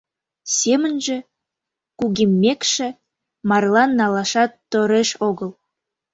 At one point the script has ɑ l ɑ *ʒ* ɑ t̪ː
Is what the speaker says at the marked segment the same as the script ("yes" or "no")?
no